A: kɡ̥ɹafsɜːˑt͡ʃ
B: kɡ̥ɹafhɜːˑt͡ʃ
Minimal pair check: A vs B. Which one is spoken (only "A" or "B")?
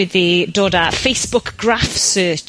A